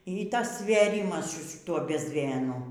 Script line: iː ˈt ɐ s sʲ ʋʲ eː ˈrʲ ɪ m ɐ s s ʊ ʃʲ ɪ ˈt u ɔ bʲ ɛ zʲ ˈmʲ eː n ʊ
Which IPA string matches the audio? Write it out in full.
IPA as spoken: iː ˈt ɐ s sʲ ʋʲ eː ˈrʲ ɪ m ɐ s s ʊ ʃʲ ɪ ˈt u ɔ bʲ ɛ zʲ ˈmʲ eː n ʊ